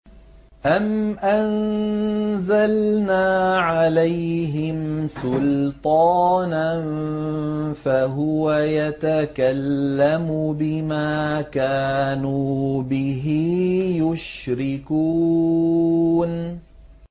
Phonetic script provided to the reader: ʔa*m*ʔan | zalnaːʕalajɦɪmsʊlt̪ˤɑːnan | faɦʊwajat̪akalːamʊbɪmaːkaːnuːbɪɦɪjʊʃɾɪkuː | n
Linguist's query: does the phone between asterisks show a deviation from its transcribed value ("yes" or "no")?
no